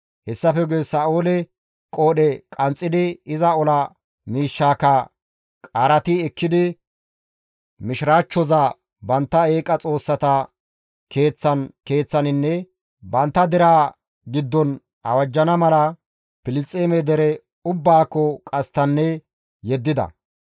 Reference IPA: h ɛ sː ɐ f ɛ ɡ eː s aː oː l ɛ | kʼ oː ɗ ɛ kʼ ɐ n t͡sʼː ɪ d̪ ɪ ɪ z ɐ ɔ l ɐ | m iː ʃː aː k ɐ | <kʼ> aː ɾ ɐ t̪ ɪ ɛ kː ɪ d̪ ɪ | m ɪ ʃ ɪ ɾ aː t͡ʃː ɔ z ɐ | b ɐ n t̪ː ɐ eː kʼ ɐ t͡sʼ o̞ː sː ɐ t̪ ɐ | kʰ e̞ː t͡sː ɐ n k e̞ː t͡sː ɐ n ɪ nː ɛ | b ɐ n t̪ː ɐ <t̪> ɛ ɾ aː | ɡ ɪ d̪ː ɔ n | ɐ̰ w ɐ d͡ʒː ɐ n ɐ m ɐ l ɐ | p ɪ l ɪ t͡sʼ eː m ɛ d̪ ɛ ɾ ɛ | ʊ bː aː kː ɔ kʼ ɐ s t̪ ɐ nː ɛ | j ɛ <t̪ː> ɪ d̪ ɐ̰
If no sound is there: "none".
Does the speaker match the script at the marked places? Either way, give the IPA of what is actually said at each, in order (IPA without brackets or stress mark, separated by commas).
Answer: kʼ, d̪, d̪ː